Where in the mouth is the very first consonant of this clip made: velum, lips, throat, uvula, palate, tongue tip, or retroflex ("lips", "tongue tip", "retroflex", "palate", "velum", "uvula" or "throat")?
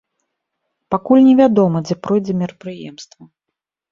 lips